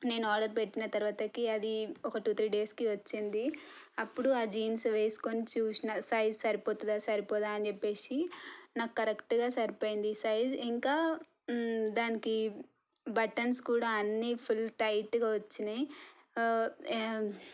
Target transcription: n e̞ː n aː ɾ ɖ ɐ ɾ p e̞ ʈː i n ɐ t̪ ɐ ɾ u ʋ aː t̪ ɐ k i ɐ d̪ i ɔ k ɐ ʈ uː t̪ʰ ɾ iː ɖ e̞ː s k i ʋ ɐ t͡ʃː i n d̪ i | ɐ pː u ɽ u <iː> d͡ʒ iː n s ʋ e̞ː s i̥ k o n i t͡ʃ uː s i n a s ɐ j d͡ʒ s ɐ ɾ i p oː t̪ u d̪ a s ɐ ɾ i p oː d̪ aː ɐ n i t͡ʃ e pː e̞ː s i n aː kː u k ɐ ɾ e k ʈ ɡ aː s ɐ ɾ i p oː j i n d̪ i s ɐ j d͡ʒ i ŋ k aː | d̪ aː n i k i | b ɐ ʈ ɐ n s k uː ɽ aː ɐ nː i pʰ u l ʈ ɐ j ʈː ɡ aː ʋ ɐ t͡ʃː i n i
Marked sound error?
yes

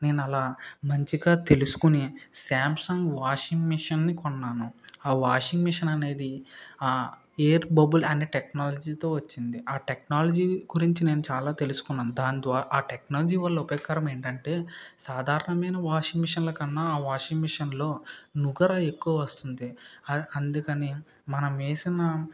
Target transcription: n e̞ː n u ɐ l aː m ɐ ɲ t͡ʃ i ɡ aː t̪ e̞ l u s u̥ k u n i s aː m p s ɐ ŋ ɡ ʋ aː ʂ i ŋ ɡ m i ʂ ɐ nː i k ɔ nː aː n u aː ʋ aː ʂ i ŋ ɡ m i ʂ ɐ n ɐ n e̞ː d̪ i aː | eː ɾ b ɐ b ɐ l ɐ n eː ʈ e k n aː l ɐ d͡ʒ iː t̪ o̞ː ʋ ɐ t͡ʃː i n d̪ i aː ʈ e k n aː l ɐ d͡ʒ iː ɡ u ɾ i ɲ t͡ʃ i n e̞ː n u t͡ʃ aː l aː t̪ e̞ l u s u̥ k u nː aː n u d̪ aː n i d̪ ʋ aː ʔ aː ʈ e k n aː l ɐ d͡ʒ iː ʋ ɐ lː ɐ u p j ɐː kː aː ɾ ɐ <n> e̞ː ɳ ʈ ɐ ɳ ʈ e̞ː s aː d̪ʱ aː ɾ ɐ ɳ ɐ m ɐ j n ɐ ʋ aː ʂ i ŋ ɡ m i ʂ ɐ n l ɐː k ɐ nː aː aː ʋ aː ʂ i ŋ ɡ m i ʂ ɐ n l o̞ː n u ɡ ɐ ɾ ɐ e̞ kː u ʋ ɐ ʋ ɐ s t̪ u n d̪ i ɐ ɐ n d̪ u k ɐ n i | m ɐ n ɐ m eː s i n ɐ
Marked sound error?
yes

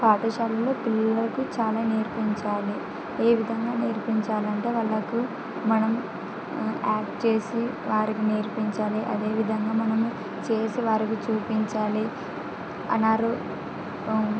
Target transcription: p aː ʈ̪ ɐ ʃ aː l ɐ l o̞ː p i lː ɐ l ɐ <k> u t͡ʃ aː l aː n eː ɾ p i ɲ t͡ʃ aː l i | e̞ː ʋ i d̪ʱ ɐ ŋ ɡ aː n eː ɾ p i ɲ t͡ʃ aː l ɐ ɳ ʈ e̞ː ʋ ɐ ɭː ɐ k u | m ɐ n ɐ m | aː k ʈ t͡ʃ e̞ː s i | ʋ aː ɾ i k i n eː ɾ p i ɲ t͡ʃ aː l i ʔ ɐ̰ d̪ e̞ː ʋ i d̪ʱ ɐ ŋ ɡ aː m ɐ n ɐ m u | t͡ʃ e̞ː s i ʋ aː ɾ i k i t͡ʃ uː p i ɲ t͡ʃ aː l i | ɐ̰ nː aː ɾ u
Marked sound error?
no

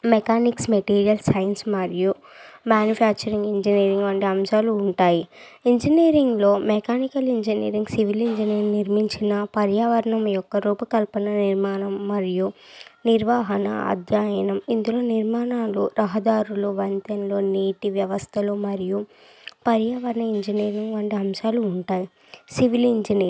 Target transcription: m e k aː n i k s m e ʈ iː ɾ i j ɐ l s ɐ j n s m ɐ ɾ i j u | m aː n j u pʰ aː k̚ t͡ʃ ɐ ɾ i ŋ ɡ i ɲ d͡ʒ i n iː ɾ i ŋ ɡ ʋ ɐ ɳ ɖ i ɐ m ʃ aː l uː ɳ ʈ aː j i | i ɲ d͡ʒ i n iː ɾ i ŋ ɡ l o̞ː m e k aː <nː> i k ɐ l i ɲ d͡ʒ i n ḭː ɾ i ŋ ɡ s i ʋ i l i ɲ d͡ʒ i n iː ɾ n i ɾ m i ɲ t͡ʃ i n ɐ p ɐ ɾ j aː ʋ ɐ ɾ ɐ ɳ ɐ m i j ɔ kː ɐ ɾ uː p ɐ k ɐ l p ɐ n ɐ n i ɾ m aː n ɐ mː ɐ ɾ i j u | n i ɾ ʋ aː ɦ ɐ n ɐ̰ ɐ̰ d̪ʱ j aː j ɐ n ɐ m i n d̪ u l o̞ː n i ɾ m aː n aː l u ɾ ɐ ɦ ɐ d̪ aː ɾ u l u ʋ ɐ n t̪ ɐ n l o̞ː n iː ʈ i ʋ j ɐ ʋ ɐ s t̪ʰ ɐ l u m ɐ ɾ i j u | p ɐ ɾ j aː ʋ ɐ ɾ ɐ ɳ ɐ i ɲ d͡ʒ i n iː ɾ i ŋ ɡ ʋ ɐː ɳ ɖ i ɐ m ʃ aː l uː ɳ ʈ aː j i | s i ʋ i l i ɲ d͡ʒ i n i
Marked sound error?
yes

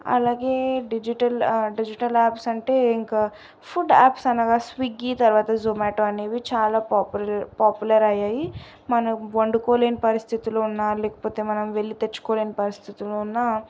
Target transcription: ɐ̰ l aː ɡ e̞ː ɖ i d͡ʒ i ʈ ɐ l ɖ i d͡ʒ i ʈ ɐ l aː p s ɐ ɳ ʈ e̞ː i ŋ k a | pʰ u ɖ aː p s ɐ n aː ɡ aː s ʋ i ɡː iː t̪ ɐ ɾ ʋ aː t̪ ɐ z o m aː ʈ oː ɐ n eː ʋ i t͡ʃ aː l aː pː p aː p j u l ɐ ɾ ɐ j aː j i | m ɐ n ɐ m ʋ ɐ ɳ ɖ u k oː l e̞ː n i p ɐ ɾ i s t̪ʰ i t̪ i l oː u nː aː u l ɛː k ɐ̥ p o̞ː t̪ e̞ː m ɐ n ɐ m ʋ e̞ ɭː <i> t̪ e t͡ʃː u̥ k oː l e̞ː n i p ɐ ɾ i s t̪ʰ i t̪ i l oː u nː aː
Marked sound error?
no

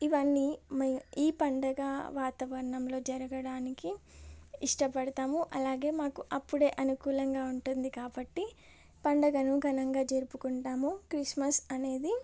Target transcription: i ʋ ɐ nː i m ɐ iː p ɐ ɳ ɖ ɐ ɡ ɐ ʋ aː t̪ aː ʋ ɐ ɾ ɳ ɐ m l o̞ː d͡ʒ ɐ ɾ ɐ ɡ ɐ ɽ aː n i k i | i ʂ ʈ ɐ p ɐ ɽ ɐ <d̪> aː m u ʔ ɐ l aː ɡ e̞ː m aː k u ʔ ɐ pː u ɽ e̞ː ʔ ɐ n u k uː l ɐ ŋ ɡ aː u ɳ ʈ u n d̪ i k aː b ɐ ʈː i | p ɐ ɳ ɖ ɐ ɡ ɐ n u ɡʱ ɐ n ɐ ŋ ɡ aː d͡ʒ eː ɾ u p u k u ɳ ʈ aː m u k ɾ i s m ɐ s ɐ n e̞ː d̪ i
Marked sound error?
yes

